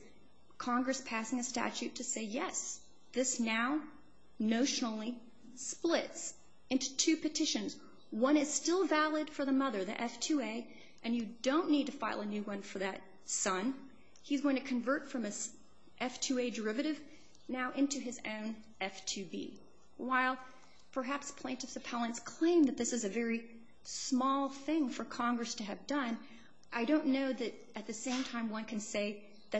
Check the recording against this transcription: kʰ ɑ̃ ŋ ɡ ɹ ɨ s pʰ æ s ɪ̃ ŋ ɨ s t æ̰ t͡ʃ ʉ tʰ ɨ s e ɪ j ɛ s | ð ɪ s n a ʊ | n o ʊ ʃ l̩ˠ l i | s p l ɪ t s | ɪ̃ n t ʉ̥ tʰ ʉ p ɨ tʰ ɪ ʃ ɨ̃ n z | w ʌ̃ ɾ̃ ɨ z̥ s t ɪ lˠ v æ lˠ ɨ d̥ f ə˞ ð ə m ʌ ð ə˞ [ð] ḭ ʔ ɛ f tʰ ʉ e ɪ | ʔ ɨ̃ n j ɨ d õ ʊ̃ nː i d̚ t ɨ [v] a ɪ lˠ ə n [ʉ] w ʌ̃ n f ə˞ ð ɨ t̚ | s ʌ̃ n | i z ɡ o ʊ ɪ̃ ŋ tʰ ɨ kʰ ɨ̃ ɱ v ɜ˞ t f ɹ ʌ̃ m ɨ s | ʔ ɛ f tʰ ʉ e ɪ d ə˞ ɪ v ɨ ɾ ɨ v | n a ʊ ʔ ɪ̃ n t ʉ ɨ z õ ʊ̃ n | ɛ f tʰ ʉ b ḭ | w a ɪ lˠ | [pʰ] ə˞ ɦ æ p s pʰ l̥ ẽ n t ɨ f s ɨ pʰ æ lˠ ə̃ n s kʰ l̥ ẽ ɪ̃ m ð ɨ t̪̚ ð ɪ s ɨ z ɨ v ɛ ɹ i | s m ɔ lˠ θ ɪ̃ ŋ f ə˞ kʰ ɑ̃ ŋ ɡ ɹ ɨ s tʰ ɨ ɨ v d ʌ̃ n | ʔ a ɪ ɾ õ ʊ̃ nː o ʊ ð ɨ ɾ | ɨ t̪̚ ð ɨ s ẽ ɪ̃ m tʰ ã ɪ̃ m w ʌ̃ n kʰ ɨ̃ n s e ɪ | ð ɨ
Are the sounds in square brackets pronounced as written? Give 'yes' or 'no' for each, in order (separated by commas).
yes, no, yes, yes